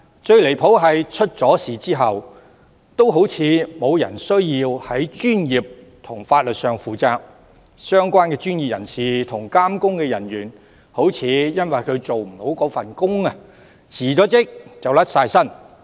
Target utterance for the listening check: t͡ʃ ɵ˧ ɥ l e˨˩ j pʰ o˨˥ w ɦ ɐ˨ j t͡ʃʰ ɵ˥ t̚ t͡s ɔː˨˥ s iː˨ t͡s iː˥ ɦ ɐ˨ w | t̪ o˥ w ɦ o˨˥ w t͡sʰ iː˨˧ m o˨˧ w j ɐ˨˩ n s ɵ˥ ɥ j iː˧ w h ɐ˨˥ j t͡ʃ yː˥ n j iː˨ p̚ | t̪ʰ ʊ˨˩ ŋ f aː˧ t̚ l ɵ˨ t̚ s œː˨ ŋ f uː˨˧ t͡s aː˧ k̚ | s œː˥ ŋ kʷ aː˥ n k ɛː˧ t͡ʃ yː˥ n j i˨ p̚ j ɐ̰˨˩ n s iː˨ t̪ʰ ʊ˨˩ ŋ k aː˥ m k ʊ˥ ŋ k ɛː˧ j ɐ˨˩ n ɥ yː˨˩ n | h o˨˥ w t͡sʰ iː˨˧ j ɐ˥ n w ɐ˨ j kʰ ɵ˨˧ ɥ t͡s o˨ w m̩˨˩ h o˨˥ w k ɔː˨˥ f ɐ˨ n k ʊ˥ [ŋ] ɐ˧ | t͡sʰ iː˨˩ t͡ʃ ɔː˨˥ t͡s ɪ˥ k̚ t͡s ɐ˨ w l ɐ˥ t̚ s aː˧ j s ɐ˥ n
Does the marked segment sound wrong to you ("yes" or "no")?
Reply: no